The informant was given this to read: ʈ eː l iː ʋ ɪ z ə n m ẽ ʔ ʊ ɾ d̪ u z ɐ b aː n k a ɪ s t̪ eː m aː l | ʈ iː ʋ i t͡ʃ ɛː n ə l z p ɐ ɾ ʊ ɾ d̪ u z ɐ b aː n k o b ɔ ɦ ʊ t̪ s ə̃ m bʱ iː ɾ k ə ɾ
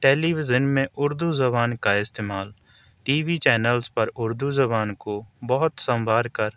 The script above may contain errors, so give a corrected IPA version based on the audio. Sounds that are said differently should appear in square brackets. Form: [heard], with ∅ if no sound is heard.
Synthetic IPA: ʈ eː l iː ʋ ɪ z ə n m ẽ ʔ ʊ ɾ d̪ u z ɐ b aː n k a ɪ s t̪ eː m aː l | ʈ iː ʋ i t͡ʃ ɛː n ə l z p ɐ ɾ ʊ ɾ d̪ u z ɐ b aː n k o b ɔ ɦ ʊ t̪ s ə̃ m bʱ [aː] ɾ k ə ɾ